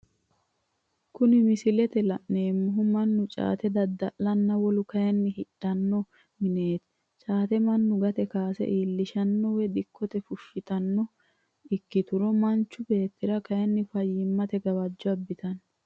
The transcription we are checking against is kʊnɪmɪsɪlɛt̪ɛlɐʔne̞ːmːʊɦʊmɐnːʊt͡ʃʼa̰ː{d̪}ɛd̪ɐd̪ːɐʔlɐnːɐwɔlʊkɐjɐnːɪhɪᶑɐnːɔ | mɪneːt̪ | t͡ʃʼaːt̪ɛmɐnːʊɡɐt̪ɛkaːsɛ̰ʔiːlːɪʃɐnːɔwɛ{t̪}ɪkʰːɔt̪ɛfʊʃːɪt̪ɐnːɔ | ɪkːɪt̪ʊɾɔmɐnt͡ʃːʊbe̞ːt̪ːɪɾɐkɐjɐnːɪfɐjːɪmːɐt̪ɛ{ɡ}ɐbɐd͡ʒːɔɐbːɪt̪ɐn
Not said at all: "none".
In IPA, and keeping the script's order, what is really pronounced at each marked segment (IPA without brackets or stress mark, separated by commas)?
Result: t̪, d̪, ɡ